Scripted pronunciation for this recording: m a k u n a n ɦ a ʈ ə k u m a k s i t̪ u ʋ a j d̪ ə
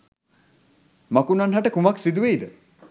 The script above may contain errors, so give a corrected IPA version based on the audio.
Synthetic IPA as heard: m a k u n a n ɦ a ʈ ə k u m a k s i d̪ u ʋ e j d̪ ə